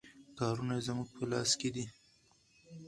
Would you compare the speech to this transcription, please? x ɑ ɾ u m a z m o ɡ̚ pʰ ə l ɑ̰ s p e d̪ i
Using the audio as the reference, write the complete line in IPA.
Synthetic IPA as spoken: k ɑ ɾ u n a z m u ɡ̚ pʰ ə l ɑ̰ s k e d̪ i